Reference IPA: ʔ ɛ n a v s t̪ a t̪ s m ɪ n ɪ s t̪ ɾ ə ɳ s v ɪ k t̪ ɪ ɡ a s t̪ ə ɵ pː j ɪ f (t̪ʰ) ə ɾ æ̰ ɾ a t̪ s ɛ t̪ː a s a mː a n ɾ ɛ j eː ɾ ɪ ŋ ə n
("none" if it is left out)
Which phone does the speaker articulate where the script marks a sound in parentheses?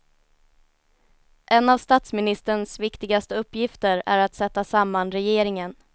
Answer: t̪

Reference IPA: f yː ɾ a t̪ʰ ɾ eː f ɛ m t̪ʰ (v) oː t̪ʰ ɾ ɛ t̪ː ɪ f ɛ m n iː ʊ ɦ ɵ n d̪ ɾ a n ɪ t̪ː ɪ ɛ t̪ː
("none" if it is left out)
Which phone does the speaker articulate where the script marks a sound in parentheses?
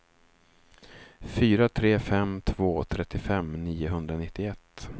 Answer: v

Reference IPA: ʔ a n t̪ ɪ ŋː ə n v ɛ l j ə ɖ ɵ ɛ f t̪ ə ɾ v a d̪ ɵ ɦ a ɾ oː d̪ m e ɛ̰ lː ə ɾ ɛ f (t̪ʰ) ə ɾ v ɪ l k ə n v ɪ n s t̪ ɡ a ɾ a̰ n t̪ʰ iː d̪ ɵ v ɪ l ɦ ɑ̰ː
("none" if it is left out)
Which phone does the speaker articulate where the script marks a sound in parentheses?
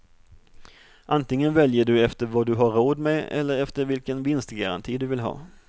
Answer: t̪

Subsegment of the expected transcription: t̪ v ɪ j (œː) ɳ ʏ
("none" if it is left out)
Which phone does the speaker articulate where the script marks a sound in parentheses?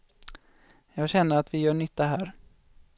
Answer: œː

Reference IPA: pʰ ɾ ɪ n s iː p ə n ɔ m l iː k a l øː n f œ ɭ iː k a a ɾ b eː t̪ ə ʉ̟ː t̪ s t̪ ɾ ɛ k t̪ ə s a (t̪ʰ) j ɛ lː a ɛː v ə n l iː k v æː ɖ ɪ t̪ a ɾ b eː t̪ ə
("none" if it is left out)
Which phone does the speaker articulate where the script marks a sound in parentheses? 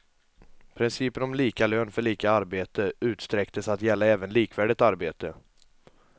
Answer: t̪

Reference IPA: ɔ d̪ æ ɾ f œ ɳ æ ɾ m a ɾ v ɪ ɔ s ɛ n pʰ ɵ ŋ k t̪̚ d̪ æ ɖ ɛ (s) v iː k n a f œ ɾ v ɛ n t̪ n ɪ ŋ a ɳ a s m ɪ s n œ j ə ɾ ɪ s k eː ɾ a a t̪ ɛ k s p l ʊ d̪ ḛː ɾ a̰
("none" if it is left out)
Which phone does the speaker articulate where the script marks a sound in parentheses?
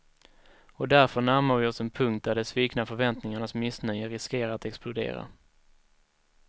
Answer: s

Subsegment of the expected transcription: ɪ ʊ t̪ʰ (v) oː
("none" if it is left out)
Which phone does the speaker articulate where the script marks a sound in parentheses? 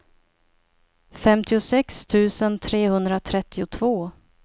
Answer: v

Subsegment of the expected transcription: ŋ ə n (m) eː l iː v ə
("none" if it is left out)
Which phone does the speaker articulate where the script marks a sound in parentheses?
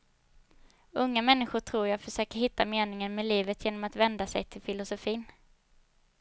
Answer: m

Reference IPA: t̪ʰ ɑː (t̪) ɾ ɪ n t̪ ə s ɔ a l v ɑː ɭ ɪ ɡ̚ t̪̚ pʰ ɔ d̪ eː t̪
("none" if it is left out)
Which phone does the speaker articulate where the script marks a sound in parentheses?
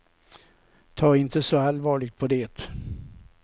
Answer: none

